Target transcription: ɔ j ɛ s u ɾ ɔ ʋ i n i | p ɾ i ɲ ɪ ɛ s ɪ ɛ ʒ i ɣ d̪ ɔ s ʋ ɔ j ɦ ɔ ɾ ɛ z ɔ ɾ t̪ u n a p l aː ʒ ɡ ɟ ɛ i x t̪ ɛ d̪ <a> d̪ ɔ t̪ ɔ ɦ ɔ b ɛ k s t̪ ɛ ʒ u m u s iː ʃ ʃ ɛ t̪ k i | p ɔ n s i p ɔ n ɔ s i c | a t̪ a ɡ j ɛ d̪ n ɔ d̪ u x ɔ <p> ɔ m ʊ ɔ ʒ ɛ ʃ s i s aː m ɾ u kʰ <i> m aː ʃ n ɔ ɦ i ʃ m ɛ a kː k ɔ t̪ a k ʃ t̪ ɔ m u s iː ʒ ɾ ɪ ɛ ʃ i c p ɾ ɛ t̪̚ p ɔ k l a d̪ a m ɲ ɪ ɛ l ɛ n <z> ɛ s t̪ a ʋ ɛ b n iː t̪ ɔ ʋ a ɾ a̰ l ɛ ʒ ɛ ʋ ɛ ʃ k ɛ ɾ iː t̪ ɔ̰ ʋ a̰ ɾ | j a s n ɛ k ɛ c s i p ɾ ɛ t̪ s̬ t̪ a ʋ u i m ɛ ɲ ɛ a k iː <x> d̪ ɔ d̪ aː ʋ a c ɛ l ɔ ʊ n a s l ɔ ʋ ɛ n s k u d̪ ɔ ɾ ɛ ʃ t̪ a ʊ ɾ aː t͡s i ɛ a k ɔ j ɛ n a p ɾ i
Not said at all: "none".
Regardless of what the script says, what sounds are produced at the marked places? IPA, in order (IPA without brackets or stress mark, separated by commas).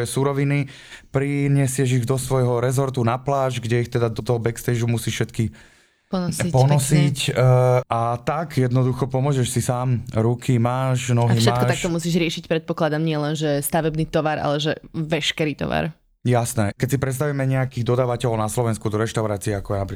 a, p, i, ʒ, ɣ